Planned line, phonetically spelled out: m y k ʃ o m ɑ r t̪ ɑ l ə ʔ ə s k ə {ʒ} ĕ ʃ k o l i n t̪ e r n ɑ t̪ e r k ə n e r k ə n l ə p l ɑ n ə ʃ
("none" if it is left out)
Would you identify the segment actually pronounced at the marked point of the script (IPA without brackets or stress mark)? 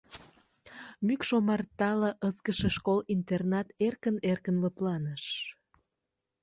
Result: ʃ